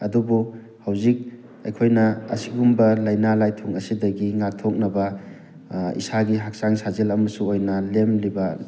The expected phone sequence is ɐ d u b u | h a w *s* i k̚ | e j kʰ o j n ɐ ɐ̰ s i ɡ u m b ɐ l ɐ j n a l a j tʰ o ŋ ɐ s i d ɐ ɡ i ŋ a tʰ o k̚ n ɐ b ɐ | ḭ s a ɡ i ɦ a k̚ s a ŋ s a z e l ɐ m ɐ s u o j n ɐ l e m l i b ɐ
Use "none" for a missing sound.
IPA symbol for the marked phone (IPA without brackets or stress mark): z